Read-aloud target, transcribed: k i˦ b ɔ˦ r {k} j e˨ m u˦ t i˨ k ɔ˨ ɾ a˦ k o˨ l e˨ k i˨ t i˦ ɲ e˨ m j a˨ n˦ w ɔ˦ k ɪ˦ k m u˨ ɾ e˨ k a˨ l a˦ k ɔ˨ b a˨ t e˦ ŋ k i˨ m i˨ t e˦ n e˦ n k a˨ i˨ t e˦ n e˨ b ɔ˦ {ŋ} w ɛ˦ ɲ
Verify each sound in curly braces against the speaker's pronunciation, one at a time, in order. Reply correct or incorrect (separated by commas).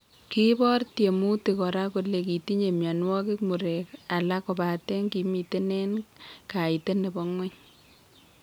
incorrect, correct